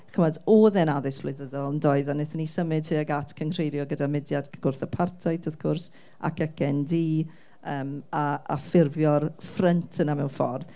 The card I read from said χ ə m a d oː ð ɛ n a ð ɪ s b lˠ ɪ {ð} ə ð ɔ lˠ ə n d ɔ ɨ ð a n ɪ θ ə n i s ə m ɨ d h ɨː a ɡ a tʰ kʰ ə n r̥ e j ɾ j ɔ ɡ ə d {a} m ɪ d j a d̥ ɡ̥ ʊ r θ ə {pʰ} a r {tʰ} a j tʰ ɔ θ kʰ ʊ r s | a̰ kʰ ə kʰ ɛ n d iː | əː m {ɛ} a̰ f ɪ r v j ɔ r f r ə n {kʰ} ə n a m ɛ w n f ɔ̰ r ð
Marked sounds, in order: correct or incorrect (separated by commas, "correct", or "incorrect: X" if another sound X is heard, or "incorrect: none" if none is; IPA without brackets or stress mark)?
correct, correct, correct, correct, incorrect: a, incorrect: tʰ